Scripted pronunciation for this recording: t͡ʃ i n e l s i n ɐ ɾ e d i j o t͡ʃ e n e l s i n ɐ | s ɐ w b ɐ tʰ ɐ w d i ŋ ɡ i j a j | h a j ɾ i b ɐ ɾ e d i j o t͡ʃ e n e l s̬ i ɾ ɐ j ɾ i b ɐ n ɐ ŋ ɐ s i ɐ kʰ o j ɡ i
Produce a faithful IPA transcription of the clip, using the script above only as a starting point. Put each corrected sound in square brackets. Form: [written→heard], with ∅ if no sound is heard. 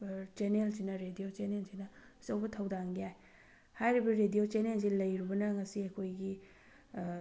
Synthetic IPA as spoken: t͡ʃ [i→e] n e l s i n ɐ ɾ e d i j o t͡ʃ e n e l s i n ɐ | s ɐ w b ɐ tʰ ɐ w d [i→a] ŋ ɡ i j a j | h a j ɾ i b ɐ ɾ e d i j o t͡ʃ e n e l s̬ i [ɾ→l] ɐ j ɾ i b ɐ n ɐ ŋ ɐ s i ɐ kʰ o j ɡ i